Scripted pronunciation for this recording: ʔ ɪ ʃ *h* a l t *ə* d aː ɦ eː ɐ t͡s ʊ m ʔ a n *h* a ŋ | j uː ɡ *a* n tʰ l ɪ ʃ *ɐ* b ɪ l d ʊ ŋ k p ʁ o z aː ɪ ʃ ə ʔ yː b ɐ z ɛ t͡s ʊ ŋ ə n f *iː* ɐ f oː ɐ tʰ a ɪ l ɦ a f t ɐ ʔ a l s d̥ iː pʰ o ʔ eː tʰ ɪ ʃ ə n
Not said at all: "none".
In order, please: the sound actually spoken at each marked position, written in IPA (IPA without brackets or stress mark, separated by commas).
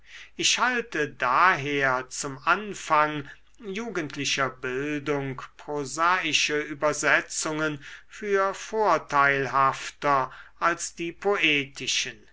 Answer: h, ə, f, ə, ɐ, yː